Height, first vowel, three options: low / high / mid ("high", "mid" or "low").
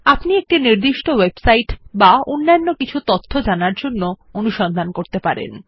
low